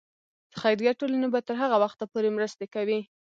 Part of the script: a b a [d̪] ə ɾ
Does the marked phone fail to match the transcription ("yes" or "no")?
yes